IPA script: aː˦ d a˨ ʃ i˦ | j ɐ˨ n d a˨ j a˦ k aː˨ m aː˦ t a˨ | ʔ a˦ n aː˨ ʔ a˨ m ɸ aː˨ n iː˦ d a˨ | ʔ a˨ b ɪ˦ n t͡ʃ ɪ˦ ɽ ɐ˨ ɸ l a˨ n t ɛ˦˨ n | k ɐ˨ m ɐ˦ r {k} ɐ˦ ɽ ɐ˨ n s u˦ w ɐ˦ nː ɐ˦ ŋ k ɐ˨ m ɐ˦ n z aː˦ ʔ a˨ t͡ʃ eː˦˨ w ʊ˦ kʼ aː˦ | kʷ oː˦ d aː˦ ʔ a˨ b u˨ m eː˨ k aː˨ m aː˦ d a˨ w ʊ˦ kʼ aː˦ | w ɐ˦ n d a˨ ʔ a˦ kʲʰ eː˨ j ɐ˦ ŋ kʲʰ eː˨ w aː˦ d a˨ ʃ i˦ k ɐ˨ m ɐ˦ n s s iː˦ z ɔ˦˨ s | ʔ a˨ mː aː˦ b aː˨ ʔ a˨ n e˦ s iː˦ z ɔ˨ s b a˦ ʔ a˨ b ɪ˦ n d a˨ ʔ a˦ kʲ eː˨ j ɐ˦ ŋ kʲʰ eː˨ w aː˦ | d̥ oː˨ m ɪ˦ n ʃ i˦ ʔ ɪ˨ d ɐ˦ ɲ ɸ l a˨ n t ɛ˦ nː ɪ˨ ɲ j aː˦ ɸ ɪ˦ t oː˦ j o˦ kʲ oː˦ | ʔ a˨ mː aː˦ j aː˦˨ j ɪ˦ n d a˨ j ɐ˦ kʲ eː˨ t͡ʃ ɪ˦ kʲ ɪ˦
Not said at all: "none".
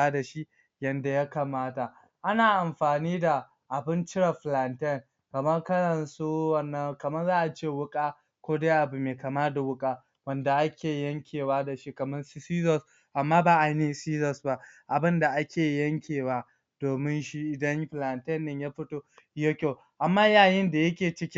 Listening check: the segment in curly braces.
k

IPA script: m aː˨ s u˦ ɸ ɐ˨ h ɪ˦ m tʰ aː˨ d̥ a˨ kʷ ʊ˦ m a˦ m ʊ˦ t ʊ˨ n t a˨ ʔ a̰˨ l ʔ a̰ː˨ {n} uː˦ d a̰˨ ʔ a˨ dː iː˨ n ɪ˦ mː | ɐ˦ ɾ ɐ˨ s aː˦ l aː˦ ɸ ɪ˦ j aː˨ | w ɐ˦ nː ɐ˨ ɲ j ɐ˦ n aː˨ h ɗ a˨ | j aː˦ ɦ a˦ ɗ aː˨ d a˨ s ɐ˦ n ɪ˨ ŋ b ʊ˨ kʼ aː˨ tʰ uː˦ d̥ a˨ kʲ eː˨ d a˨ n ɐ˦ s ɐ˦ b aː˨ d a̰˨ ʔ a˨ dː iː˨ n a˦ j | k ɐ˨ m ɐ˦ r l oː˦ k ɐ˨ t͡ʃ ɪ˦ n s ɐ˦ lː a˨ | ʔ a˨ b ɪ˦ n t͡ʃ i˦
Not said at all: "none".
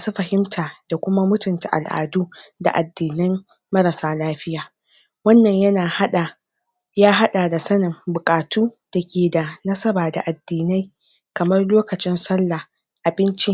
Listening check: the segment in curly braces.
d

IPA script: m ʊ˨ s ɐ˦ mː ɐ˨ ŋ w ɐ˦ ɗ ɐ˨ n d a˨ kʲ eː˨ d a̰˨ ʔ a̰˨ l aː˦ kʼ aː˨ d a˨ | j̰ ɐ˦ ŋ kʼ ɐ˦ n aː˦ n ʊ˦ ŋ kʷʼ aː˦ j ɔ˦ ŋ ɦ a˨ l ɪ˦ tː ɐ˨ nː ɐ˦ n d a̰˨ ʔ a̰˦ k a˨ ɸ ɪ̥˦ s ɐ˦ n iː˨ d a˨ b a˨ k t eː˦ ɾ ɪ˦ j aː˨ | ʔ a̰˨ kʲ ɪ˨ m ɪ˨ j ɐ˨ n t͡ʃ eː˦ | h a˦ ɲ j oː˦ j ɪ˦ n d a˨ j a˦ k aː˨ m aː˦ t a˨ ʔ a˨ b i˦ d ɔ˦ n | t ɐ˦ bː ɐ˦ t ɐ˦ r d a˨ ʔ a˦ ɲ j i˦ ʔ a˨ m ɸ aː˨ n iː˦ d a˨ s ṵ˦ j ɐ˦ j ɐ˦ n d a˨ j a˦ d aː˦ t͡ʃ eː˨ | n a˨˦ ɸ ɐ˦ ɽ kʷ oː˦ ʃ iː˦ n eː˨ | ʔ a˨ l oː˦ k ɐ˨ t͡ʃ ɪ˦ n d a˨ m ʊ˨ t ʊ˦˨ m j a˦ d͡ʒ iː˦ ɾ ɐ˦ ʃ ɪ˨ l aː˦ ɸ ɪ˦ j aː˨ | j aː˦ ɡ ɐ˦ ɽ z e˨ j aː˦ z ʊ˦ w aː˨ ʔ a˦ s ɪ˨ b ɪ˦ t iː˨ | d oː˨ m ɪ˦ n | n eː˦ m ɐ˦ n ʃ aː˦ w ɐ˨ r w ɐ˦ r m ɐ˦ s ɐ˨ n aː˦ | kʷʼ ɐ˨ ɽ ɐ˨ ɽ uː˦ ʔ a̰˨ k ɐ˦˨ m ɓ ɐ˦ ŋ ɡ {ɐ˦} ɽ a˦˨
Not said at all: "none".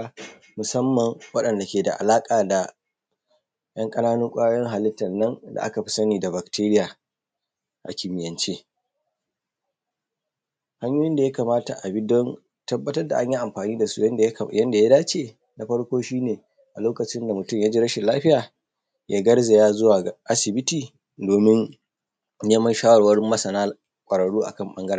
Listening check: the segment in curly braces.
ɐ˦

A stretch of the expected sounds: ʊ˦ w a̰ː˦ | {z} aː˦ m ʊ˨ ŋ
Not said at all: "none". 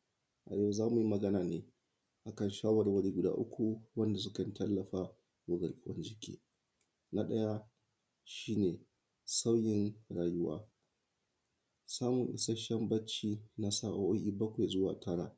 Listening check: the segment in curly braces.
s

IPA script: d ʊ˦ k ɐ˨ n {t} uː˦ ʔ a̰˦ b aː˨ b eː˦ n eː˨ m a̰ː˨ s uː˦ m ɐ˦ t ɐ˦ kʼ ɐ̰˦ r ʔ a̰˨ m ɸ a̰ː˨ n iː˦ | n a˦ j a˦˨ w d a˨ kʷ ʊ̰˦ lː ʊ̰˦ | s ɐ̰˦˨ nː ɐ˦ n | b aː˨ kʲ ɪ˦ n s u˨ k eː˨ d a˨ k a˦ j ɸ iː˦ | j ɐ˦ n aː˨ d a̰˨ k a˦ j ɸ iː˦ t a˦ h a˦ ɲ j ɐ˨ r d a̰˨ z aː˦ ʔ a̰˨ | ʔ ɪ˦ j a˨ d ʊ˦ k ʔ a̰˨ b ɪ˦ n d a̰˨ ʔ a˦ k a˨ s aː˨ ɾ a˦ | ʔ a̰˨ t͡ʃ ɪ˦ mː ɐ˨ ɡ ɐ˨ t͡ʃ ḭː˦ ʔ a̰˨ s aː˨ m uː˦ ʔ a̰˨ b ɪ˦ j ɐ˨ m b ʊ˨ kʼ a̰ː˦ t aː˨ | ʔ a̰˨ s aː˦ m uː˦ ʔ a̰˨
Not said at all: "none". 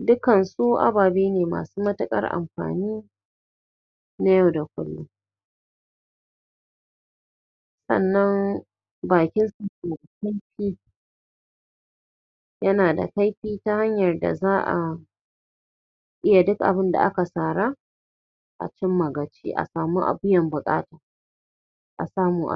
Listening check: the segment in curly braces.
s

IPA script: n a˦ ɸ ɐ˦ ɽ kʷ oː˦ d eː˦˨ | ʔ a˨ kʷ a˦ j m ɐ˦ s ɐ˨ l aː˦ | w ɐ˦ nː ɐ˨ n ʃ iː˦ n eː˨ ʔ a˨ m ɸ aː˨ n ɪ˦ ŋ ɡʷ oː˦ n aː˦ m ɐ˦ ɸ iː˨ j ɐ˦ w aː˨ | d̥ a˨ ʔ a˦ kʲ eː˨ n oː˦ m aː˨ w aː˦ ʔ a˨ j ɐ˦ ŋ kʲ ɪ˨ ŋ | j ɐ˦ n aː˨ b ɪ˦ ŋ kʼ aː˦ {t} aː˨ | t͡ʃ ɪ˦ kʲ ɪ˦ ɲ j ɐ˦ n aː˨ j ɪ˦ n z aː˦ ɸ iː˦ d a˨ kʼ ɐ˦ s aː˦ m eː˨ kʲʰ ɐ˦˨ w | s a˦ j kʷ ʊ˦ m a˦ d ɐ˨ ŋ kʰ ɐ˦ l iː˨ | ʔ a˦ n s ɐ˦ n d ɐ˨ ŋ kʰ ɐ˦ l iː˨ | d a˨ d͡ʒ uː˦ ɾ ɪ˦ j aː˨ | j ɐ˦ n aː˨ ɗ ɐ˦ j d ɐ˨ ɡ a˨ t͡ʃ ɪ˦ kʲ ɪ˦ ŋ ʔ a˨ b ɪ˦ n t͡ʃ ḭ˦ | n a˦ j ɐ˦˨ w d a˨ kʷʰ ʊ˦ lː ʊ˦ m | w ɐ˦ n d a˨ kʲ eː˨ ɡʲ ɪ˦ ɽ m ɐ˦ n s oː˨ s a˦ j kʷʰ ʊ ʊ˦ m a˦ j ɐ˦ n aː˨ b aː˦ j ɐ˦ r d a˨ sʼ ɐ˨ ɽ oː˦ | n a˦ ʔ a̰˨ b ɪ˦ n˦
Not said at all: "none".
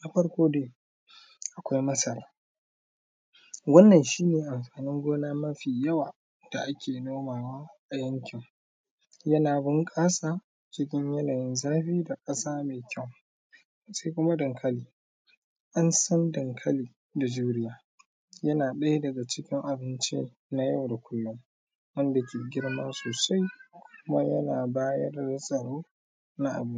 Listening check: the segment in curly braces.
s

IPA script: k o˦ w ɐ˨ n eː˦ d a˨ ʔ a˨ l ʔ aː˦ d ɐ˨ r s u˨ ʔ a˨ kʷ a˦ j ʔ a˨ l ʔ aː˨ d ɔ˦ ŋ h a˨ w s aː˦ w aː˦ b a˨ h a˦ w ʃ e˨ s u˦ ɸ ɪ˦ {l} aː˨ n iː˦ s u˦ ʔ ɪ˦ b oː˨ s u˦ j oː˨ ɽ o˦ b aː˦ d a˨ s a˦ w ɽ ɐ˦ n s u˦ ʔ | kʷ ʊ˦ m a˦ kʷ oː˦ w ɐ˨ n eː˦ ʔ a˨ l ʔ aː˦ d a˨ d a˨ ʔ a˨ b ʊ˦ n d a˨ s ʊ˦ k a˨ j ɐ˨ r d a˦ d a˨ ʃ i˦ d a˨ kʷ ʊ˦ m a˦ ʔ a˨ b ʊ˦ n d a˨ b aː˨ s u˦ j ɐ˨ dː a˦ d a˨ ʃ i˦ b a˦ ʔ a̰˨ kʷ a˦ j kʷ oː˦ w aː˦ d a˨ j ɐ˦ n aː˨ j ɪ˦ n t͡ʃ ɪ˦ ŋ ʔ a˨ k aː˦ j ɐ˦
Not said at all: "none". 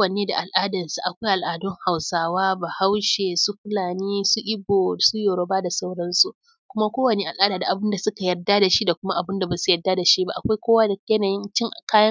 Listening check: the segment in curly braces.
l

